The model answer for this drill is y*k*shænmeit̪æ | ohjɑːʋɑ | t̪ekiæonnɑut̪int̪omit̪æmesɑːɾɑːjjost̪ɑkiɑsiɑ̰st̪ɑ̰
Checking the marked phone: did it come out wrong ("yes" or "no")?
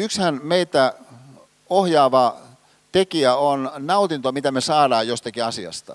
no